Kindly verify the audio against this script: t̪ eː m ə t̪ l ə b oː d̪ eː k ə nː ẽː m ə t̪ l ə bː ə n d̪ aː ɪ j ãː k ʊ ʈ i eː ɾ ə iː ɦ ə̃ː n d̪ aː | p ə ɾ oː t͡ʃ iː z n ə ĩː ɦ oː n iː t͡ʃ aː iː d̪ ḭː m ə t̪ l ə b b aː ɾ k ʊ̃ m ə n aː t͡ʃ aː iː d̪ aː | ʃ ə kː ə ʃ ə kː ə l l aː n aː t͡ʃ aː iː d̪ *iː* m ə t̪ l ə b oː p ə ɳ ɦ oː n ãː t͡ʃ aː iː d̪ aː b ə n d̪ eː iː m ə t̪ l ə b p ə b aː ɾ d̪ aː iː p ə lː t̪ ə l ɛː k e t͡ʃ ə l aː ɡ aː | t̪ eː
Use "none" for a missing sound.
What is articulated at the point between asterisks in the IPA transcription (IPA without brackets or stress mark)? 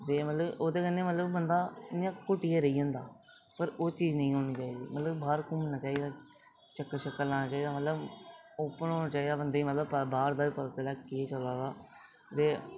aː